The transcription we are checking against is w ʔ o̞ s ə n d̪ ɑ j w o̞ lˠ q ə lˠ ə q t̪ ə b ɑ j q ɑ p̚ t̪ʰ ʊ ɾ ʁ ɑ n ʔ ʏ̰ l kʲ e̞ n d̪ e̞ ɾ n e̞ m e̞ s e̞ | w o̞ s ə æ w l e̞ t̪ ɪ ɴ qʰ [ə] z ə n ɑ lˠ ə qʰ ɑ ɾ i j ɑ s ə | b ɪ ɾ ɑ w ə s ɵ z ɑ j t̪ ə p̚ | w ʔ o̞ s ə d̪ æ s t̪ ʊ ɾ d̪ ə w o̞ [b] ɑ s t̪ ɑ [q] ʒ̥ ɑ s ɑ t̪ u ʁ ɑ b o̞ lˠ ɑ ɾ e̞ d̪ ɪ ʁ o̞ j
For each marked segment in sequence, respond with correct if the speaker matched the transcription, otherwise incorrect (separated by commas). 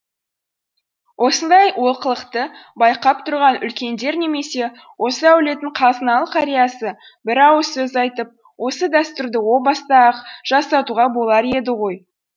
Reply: incorrect, correct, correct